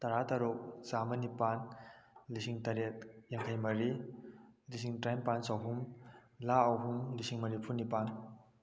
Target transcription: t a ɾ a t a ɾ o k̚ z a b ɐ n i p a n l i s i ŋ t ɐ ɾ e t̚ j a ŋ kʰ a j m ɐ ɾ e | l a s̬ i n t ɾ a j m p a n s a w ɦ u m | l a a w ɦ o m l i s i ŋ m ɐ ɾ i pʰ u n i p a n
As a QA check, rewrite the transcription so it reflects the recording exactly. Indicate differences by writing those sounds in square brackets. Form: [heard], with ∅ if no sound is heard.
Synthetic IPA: t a ɾ a t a ɾ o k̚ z a [m] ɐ n i p a n l i s i ŋ t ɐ ɾ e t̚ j a ŋ kʰ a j m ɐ ɾ [i] | l [i] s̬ i [ŋ] t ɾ a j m p a n s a w ɦ u m | l a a w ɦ [u] m l i s i ŋ m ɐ ɾ i pʰ u n i p a n